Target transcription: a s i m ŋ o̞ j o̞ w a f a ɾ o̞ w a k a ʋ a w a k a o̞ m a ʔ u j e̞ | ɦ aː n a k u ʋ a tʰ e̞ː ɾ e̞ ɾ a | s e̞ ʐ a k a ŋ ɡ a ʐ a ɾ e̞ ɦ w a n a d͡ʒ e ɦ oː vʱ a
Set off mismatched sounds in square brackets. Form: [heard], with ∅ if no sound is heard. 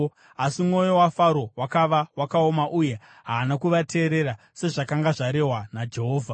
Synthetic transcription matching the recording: a s i m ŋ o̞ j o̞ w a f a ɾ o̞ w a k a ʋ a w a k a o̞ m a ʔ u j e̞ | ɦ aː n a k u ʋ a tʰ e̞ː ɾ e̞ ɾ a | s e̞ ʐ a k a ŋ ɡ a ʐ a ɾ e̞ ɦ w a n a d͡ʒ e ɦ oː vʱ a

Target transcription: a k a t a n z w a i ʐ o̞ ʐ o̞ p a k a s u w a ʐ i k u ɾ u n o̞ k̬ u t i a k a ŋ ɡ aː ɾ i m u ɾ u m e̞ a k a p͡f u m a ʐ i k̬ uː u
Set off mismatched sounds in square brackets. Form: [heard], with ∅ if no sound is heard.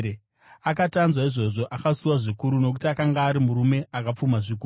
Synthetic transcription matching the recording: a k a t a n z w a i ʐ o̞ ʐ o̞ [ʔ] a k a s u w a ʐ i k u ɾ u n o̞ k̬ u t i a k a ŋ ɡ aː ɾ i m u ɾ u m e̞ a k a p͡f u m a ʐ i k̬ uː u

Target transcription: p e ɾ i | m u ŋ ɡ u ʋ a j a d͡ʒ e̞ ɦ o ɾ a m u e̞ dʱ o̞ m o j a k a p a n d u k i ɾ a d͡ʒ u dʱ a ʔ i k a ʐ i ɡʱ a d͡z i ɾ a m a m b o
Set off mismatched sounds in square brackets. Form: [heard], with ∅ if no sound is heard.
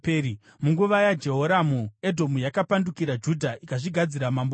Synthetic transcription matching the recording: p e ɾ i | m u ŋ ɡ u ʋ a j a d͡ʒ e̞ ɦ o ɾ a m u e̞ dʱ o̞ m [u] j a k a p a n d u k i ɾ a d͡ʒ u dʱ a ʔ i k a ʐ i ɡʱ a d͡z i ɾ a m a m b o

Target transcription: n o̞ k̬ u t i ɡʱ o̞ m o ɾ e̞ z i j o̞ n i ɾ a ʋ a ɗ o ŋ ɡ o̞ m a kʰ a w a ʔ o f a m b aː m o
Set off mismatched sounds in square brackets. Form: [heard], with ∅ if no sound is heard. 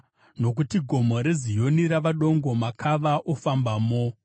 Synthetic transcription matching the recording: n o̞ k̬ u t i ɡʱ o̞ m o ɾ e̞ z i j o̞ n i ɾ a ʋ a ɗ o ŋ ɡ o̞ m a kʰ a [ʋ] a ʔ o f a m b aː m o

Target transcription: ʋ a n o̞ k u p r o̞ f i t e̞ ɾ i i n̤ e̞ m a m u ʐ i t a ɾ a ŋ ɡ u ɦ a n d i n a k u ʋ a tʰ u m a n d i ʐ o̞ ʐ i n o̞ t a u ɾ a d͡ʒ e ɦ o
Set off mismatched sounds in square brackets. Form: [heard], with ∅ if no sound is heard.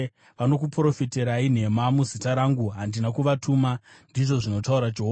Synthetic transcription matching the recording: ʋ a n o̞ k u p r o̞ f i t e̞ ɾ [a] i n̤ e̞ m a m u [z] i t a ɾ a ŋ ɡ u ɦ a n d i n a k u ʋ a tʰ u m a n d i ʐ o̞ ʐ i n o̞ t a u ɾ a d͡ʒ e ɦ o

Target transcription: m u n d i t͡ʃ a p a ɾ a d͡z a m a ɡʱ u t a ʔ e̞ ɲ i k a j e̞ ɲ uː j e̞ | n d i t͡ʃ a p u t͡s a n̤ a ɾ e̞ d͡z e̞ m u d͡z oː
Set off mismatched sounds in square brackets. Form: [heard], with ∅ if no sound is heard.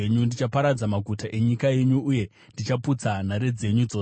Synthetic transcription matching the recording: [ɲ] u n d i t͡ʃ a p a ɾ a d͡z a m a ɡʱ u t a ʔ e̞ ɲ i k a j e̞ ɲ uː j e̞ | n d i t͡ʃ a p u t͡s a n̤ a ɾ e̞ d͡z e̞ [ɲ] u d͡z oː

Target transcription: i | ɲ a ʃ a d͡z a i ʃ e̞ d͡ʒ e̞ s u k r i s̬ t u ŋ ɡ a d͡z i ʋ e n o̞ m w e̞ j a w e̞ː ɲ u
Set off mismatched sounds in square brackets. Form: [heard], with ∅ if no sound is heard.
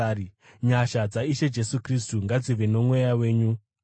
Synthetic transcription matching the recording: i | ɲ a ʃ a d͡z a i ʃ e̞ d͡ʒ e̞ s u k r i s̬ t u ŋ ɡ a d͡z i ʋ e n o̞ m w e̞ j a w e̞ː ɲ u

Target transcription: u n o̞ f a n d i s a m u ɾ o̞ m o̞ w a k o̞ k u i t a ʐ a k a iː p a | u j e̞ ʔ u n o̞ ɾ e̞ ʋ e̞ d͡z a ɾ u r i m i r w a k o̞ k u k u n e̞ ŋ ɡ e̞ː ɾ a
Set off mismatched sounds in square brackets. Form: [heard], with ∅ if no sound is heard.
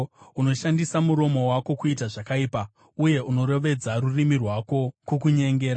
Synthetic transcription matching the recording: u n o̞ [ʃ] a n d i s a m u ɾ o̞ m o̞ w a k o̞ k u i t a ʐ a k a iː p a | u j e̞ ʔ u n o̞ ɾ e̞ ʋ e̞ d͡z a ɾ u r i m i r w a k o̞ k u k u [ɲ] e̞ ŋ ɡ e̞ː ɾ a

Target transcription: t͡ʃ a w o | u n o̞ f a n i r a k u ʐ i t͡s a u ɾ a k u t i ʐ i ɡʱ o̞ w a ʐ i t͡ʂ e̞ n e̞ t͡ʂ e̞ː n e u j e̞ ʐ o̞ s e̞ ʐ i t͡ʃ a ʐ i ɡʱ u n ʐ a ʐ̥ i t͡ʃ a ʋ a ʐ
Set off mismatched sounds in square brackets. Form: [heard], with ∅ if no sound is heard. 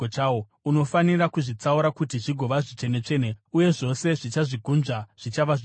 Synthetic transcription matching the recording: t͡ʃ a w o | u n o̞ f a n i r a k u ʐ i t͡s a u ɾ a k u t i ʐ i ɡʱ o̞ [ʋ] a ʐ i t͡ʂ e̞ n e̞ t͡ʂ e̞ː n e u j e̞ ʐ o̞ s e̞ ʐ i t͡ʃ a ʐ i ɡʱ u n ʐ a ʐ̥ i t͡ʃ a ʋ a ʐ

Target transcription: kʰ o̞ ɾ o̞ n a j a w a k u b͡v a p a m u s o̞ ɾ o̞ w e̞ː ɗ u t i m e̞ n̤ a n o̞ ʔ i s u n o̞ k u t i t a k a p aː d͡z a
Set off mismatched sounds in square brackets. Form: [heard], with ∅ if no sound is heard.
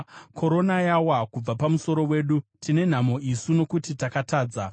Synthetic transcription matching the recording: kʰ o̞ ɾ o̞ n a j a w a k u b͡v a p a m u s o̞ ɾ o̞ w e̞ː ɗ u t i [n] e̞ n̤ a [m] o̞ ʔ i s u n o̞ k u t i t a k a [t] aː d͡z a

